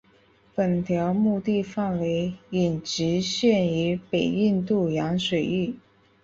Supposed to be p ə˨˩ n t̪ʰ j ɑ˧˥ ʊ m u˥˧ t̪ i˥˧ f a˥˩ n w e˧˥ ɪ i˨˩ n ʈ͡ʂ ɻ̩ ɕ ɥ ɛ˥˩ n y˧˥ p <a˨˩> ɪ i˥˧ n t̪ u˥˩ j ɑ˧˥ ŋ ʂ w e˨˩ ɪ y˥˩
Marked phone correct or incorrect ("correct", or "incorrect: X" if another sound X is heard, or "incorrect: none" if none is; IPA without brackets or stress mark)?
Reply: incorrect: e˨˩